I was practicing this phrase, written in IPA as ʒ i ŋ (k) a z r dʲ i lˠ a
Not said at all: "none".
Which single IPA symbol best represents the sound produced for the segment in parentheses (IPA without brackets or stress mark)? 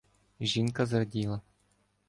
k